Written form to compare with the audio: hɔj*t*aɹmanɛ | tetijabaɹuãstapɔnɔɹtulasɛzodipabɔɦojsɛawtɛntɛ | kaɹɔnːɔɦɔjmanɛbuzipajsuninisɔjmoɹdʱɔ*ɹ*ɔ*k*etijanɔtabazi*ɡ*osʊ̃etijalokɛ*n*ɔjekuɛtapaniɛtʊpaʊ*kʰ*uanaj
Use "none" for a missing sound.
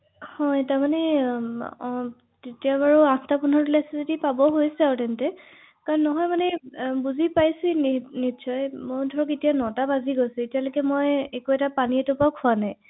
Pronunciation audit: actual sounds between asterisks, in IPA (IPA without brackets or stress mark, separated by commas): t, ɹ, k, ɡ, m, kʰ